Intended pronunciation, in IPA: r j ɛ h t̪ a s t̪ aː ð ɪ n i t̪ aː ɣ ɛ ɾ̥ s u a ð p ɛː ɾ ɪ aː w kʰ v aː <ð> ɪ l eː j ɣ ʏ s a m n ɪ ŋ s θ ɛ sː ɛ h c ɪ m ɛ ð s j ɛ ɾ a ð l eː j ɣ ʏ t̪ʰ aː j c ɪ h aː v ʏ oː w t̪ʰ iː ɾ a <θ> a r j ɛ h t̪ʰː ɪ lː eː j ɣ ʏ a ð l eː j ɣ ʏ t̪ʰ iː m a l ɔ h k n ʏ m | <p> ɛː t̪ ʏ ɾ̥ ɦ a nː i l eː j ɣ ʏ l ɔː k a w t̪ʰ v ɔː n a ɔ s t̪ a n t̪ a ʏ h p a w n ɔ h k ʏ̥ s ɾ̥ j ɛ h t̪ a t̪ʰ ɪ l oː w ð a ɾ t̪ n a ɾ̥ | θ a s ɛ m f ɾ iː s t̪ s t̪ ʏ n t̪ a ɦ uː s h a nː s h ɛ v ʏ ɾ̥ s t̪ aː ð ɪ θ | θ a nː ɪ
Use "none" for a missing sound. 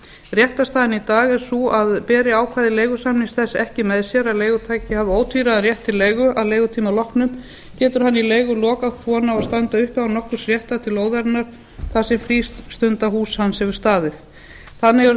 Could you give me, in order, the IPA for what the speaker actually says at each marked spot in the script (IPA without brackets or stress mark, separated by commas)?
ð, ð, c